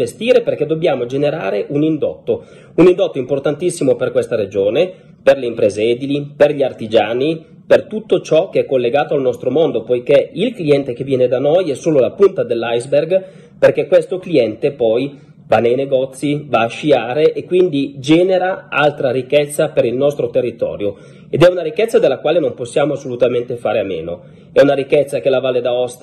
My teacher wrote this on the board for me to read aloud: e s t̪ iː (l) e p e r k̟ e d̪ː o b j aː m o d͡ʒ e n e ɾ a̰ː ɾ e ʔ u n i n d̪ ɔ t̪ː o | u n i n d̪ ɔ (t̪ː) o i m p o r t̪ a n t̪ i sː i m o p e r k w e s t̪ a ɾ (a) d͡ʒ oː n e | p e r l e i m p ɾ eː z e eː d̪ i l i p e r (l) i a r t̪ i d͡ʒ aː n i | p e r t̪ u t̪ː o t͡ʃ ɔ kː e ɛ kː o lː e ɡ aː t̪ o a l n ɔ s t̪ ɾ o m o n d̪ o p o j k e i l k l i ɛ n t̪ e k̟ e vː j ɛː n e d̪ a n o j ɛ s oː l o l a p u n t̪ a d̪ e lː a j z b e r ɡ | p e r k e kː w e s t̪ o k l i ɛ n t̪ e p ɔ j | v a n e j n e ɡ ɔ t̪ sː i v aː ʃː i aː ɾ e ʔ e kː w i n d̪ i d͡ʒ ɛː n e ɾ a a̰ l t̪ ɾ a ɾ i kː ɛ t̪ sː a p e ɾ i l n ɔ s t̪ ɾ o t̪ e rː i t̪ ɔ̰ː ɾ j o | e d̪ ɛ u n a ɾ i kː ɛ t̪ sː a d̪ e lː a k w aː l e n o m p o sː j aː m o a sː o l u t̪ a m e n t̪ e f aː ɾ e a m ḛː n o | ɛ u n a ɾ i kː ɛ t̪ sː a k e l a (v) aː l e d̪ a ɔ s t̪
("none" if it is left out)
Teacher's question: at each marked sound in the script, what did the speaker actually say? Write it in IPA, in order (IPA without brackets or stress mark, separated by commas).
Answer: ɾ, t̪ː, e, ʎ, v